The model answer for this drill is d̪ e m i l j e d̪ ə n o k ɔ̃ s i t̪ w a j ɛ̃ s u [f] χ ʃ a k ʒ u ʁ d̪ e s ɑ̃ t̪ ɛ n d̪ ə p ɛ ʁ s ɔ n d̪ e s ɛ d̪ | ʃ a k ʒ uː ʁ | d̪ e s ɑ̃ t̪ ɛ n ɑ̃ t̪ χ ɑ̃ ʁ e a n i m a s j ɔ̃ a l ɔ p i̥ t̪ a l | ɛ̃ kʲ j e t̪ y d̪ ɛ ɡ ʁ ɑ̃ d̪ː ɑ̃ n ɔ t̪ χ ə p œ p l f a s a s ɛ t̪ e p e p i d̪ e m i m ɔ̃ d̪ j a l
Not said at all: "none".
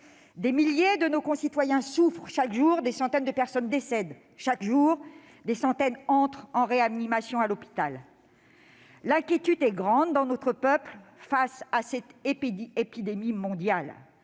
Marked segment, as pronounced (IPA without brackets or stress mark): f